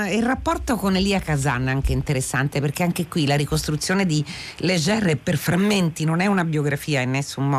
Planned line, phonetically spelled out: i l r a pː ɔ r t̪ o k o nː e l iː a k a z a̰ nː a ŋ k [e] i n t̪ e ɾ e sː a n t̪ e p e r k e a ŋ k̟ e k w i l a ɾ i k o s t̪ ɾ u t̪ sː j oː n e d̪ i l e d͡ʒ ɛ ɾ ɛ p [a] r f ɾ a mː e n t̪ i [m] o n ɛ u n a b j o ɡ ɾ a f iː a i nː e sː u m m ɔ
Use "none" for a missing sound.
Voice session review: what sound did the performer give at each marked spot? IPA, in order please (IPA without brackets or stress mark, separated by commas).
e, e, n